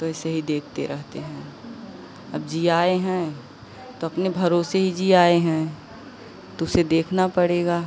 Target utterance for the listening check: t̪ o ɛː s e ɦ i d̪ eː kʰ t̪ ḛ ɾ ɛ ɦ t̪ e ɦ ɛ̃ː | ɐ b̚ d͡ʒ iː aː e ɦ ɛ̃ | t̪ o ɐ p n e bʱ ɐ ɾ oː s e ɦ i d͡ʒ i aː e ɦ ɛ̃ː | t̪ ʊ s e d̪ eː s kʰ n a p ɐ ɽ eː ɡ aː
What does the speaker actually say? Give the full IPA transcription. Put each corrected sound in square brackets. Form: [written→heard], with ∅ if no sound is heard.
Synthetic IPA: t̪ o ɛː s e ɦ i d̪ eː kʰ t̪ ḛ ɾ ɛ ɦ t̪ e ɦ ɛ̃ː | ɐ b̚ d͡ʒ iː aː e ɦ ɛ̃ | t̪ o ɐ p n e bʱ ɐ ɾ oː s e ɦ i d͡ʒ i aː e ɦ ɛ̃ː | t̪ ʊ s e d̪ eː [s→∅] kʰ n a p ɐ ɽ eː ɡ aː